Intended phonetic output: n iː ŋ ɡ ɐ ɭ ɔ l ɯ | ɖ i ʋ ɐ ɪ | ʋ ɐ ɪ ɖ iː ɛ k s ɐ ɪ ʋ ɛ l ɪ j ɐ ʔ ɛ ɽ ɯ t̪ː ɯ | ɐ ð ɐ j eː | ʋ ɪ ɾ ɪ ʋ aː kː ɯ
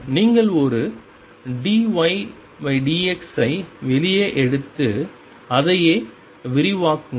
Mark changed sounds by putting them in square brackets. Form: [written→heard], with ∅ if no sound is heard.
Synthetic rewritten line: n iː ŋ ɡ ɐ ɭ ɔ [l→ɾ] ɯ | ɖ i ʋ ɐ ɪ | ʋ ɐ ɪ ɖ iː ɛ k s ɐ ɪ ʋ ɛ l ɪ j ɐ ʔ ɛ ɽ ɯ t̪ː ɯ | ɐ ð ɐ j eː | ʋ ɪ ɾ ɪ ʋ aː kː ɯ